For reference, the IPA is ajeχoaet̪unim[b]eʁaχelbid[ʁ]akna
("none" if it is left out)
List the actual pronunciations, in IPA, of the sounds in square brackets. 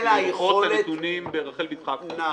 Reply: b, χ

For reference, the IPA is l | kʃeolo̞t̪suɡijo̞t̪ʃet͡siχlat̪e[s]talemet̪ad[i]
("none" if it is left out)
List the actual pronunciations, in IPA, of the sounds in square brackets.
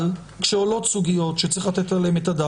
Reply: none, a

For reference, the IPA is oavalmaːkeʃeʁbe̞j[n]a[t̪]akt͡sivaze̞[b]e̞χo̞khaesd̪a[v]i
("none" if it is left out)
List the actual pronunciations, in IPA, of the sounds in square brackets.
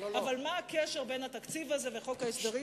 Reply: n, t̪, v, ʁ

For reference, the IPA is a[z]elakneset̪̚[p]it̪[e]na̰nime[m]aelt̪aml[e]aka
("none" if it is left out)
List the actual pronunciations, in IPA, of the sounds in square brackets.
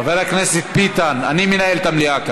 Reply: v, p, a, n, i

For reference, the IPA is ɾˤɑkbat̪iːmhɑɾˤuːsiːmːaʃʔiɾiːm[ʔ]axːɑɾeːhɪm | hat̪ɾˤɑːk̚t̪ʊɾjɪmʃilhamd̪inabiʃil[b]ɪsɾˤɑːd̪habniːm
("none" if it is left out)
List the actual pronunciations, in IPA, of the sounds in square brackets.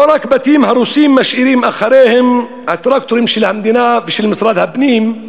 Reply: ʔ, m

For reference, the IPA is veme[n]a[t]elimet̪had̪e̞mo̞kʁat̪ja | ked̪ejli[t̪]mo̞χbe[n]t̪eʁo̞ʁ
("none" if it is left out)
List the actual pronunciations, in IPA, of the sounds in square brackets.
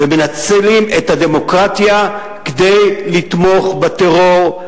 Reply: n, t͡s, t̪, none

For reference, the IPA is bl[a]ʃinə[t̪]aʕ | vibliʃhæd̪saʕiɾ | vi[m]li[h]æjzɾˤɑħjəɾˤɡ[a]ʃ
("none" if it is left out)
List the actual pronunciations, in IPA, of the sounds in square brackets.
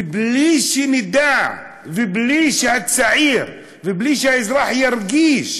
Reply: i, d̪, b, ʃ, i

